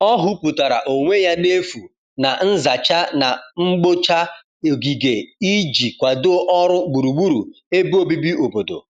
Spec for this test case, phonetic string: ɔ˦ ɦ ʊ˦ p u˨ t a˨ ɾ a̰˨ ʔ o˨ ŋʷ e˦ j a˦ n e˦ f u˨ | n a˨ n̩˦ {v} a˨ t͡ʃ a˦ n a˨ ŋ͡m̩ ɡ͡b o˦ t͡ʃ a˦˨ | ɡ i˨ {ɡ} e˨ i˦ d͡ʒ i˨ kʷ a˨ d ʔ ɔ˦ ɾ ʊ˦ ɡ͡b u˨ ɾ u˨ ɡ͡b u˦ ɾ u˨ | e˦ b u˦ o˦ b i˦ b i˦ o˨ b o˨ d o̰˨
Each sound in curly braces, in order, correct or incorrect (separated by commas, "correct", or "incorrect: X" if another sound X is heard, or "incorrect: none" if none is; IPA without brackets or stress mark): incorrect: z, correct